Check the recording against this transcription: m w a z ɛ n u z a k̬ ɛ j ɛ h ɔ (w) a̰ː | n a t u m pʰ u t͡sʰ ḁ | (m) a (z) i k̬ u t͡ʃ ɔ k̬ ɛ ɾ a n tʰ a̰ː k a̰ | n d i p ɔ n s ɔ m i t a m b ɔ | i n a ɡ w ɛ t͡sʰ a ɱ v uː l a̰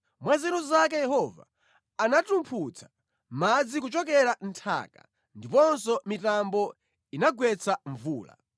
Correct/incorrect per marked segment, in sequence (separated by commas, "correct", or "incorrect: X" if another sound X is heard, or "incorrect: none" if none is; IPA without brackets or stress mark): incorrect: v, correct, incorrect: d͡z